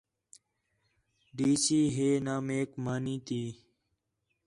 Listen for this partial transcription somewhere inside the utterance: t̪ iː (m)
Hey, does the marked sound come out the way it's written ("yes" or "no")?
no